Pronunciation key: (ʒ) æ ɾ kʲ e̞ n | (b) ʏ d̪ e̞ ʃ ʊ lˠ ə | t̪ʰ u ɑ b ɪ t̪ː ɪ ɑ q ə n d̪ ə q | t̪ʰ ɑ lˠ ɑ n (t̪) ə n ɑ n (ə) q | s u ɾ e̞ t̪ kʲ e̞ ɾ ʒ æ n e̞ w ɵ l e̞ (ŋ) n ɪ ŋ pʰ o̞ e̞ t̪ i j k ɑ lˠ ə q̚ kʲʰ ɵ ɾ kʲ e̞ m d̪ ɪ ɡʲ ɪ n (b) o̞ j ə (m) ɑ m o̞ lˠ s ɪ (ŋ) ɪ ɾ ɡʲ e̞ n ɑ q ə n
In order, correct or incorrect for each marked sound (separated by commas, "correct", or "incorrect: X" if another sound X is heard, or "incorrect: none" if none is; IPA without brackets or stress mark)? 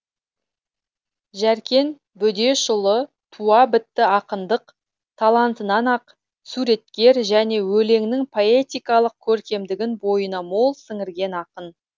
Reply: correct, correct, correct, incorrect: ɑ, correct, correct, incorrect: n, correct